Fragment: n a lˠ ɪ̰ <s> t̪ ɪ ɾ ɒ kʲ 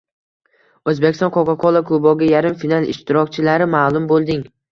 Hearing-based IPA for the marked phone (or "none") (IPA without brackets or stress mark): ʃ